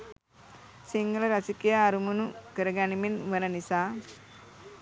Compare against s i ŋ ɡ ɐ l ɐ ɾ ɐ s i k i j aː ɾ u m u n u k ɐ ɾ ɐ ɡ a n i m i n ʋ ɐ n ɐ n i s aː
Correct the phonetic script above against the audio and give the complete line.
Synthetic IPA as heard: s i ŋ ɡ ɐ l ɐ ɾ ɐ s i k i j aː ɾ u m u n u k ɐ ɾ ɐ ɡ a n i m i n ʋ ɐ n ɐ n i s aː